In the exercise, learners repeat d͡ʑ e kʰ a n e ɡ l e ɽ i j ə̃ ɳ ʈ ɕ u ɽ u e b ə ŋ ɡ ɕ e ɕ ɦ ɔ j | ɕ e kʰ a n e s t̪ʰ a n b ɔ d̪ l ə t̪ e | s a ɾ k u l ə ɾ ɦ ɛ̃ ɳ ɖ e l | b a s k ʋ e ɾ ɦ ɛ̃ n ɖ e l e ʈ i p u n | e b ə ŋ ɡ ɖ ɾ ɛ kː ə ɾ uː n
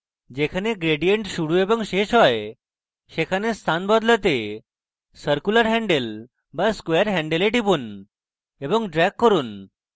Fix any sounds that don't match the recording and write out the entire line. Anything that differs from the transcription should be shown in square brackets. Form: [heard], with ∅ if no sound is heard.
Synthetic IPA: d͡ʑ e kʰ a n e ɡ [ɾ] e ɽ i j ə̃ ɳ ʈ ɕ u ɽ u e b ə ŋ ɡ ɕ e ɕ ɦ ɔ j | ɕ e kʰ a n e s t̪ʰ a n b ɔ d̪ l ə t̪ e | s [ə] ɾ k u l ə ɾ ɦ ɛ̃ ɳ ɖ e l | b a s k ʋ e ɾ ɦ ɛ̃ [ɳ] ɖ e l e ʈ i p u n | e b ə ŋ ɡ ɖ ɾ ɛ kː ə ɾ uː n